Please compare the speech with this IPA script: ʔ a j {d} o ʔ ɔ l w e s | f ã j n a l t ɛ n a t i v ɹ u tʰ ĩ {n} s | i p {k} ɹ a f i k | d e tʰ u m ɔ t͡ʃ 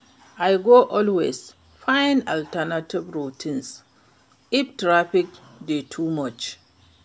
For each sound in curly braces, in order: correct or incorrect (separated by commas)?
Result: incorrect, correct, incorrect